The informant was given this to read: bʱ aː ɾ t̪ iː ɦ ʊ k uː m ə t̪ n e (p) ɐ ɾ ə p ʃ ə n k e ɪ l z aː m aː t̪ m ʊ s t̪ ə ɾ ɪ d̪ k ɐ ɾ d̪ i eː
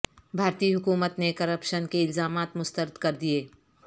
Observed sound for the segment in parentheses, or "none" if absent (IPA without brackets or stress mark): k